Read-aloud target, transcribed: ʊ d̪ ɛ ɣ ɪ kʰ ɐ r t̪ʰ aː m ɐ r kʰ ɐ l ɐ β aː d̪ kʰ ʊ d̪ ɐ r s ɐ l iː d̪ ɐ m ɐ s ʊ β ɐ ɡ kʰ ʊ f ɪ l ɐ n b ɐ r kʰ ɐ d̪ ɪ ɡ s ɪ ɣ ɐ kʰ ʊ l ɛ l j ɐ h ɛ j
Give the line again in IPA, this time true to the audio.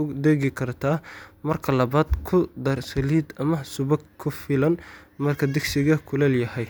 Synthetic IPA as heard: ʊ d̪ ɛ ɣ ɪ kʰ ɐ r t̪ʰ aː m ɐ r kʰ ɐ l ɐ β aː d̪ kʰ ʊ d̪ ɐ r s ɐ l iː d̪ ɐ m ɐ s ʊ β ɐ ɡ kʰ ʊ f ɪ l ɐ n m ɐ r kʰ ɐ d̪ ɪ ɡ s ɪ ɣ ɐ kʰ ʊ l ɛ l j ɐ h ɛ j

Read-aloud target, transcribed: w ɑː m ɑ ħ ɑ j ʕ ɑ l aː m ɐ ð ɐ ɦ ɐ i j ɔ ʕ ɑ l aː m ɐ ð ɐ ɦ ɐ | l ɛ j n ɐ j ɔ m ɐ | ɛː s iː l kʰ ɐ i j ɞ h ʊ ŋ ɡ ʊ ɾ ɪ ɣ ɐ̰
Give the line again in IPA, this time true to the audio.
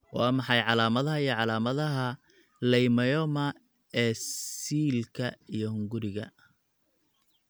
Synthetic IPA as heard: w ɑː m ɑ ħ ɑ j ʕ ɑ l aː m ɐ ð ɐ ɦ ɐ i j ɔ ʕ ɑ l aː m ɐ ð ɐ ɦ ɐ | l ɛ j m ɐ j ɔ m ɐ | ɛː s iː l kʰ ɐ i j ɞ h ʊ ŋ ɡ ʊ ɾ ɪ ɣ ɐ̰

